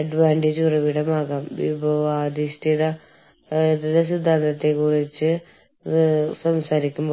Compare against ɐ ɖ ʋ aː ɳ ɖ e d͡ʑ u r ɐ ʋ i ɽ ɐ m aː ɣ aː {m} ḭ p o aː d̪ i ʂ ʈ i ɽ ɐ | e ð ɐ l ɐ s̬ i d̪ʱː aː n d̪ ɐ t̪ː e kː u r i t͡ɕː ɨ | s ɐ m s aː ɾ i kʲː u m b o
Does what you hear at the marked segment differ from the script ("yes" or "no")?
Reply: no